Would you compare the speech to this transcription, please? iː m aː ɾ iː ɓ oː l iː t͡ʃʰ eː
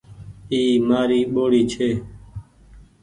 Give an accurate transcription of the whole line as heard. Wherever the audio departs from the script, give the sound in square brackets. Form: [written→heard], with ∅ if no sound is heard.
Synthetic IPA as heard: iː m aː ɾ iː ɓ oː [l→ɽ] iː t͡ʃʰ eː